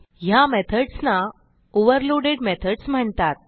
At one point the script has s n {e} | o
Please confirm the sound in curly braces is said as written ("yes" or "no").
no